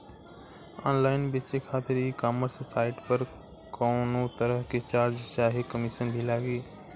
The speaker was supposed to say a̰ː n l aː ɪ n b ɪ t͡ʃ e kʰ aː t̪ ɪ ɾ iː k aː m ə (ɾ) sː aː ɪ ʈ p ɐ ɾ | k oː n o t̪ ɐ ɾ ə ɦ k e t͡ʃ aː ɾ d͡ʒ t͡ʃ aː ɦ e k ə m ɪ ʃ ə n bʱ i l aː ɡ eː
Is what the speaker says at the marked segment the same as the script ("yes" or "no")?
yes